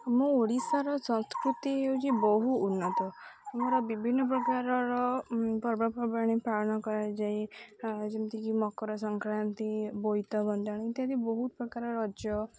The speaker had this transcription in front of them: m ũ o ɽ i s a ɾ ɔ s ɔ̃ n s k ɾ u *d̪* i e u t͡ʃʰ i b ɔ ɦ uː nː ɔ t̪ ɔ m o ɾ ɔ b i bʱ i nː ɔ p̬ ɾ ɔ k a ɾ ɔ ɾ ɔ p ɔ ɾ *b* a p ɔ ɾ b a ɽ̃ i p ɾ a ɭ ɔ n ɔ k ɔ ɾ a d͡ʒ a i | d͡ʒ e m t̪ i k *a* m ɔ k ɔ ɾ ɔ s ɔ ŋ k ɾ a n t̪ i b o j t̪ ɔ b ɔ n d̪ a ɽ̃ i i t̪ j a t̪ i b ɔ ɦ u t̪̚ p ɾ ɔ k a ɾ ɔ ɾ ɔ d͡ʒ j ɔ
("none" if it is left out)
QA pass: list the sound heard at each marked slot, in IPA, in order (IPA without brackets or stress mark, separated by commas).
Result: t̪, b, i